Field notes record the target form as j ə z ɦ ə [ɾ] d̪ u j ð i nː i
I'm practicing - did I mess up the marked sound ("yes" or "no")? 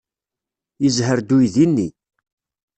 no